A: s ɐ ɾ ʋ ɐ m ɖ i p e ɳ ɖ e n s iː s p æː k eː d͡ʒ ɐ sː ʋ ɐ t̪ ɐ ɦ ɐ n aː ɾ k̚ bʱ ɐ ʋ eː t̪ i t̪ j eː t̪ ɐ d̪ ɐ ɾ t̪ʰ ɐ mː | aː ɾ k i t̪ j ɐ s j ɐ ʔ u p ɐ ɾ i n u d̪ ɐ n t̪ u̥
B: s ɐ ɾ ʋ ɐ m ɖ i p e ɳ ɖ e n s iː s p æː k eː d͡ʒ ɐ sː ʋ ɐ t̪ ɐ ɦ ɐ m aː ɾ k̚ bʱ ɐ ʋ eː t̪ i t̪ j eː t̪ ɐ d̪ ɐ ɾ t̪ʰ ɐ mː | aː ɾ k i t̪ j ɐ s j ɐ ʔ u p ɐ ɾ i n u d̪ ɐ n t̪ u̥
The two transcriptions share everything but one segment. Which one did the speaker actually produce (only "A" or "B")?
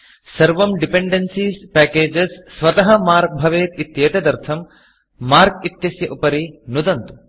B